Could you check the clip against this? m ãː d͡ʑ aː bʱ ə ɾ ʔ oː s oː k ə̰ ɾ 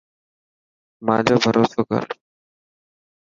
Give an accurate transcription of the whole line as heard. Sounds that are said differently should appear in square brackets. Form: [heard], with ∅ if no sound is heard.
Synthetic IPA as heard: m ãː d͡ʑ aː bʱ ə ɾ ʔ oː s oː k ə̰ ɾ